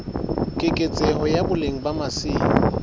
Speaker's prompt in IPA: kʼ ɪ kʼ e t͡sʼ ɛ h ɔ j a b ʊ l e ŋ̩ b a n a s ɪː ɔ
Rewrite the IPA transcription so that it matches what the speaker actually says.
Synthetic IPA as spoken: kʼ ɪ kʼ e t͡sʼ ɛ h ɔ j a b ʊ l e ŋ̩ b a m a s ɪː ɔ